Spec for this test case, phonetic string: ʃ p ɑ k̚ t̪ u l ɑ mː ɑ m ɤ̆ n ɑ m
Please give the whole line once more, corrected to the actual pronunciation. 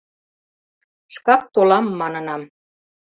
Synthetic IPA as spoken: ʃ k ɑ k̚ t̪ o l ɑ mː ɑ n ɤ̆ n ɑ m